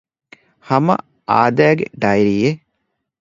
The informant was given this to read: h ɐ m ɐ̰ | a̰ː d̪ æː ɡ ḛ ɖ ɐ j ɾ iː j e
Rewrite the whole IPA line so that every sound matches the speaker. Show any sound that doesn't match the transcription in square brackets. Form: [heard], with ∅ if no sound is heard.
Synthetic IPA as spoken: h ɐ m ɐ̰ | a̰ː d̪ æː ɡ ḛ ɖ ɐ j ɾ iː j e